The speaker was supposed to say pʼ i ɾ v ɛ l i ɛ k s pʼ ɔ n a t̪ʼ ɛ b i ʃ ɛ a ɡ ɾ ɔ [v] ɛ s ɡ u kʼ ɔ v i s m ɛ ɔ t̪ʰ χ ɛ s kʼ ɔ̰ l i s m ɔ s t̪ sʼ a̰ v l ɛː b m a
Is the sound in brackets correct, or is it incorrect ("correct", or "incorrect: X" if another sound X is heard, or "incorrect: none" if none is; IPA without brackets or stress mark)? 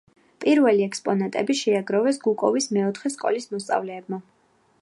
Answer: correct